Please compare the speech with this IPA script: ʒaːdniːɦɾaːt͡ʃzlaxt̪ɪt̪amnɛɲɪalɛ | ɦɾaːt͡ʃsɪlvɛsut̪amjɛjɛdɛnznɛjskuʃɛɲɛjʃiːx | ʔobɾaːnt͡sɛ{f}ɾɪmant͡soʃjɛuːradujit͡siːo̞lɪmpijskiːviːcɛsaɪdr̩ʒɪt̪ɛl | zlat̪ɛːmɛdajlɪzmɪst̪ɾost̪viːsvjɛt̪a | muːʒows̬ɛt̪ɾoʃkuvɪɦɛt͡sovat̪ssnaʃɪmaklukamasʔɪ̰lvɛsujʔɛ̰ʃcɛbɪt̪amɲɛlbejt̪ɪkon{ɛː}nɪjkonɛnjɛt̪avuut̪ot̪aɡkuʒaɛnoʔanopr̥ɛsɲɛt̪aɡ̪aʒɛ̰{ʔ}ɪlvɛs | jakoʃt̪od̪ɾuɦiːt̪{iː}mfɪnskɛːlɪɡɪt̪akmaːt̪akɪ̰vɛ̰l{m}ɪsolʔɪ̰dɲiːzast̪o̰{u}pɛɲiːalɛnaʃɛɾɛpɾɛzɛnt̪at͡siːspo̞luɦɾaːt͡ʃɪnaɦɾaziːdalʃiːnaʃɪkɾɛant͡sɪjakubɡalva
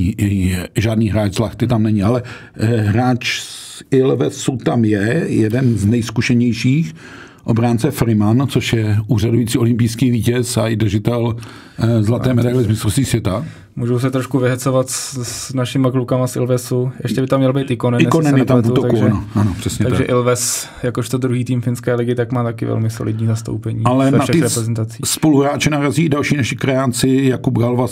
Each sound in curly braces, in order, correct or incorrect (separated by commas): correct, incorrect, correct, correct, correct, incorrect